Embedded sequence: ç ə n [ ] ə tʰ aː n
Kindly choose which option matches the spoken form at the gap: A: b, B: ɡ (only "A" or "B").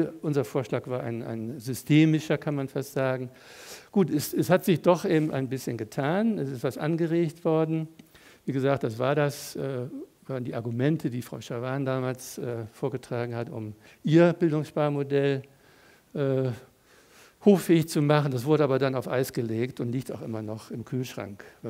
B